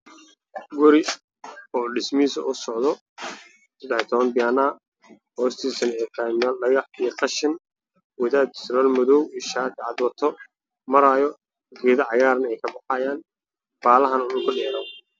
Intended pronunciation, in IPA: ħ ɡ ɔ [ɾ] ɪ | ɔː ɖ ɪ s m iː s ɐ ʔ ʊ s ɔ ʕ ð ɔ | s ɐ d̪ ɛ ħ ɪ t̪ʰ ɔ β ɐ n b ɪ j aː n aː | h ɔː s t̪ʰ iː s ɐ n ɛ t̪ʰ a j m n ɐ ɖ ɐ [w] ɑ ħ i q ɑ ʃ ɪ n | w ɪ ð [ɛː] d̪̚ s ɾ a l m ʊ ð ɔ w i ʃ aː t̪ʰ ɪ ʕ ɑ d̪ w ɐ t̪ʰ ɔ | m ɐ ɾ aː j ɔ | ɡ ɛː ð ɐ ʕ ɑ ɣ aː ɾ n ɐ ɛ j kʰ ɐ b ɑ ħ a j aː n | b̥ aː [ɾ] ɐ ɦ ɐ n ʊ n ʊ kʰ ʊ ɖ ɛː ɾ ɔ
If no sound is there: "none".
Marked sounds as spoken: ɾ, ɣ, aː, l

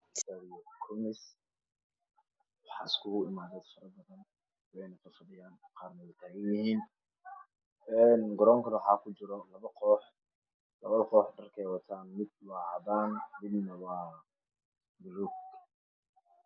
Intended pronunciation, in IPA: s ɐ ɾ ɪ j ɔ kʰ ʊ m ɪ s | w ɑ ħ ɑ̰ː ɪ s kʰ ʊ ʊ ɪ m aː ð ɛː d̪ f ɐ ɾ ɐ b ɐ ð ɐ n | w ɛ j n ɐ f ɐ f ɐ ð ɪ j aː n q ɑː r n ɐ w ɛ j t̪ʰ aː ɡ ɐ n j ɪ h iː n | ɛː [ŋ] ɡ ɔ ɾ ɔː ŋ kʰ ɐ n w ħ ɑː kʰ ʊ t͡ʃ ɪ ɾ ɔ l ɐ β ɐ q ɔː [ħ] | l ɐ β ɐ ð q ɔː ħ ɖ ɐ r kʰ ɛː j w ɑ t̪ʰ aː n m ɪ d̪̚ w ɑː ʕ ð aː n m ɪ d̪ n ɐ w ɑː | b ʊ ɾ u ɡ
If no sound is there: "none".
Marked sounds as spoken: n, ħ

